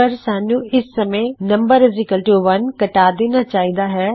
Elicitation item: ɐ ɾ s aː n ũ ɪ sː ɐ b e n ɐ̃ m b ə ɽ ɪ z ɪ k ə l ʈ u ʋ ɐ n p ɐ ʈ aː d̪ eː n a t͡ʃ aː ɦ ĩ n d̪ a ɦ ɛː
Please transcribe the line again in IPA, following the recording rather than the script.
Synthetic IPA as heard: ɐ ɾ s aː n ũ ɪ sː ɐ m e n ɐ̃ m b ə ɾ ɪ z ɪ k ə l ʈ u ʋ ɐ n k ɐ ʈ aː d̪ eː n a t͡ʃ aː ɦ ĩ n d̪ a ɦ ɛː